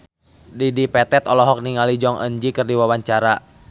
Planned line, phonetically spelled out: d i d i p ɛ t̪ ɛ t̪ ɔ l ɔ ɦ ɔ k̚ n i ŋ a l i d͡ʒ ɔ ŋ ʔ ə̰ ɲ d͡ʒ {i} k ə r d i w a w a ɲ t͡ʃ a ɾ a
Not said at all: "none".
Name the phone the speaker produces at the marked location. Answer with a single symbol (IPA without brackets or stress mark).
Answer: i